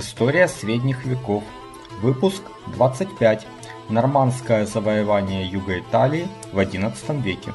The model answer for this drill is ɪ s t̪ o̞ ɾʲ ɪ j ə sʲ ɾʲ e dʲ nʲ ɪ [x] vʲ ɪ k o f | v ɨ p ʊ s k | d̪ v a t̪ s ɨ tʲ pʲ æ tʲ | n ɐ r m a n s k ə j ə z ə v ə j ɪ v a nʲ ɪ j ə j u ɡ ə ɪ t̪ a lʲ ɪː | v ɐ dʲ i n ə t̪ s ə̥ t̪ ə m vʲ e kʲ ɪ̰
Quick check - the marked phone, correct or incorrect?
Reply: correct